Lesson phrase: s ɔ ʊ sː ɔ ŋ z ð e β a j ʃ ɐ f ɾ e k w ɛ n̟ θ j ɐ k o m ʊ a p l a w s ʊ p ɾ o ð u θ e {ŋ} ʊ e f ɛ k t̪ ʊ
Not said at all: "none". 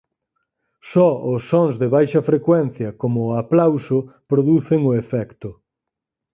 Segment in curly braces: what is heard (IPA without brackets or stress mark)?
ŋ